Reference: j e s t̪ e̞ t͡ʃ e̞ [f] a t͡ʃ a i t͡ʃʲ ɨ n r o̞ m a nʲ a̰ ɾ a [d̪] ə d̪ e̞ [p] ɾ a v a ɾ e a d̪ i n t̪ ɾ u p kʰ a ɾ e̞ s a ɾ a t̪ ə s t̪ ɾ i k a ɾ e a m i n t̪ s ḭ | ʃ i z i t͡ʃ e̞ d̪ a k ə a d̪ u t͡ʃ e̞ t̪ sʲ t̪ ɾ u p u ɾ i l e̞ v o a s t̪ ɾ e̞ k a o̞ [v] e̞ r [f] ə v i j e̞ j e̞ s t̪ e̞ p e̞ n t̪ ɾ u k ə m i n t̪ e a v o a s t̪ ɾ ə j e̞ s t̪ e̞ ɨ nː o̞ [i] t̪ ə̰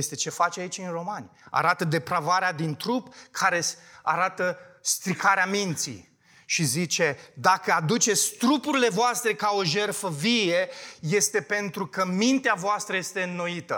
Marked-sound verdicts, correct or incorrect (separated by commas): correct, incorrect, correct, incorrect, correct, correct